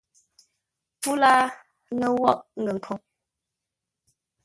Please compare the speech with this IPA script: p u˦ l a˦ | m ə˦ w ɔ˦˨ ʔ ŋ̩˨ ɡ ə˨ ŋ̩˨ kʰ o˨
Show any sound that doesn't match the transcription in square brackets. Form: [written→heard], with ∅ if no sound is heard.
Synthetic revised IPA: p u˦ l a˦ | [m→n] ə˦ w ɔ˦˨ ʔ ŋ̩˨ ɡ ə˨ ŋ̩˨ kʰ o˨